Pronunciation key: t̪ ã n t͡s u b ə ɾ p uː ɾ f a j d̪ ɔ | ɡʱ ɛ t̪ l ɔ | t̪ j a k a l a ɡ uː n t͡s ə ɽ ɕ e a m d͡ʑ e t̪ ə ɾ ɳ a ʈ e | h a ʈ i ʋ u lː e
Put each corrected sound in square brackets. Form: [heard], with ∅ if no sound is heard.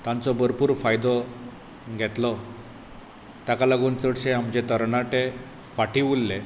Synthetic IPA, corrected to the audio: t̪ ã n t͡s [ɔ] b ə ɾ p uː ɾ f a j d̪ ɔ | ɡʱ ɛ t̪ l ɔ | t̪ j a k a l a ɡ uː n t͡s ə ɽ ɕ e a m d͡ʑ e t̪ ə ɾ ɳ a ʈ e | [f] a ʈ i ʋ u lː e